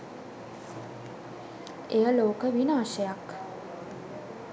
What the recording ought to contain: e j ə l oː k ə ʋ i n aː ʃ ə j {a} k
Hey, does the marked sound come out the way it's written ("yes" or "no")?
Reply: yes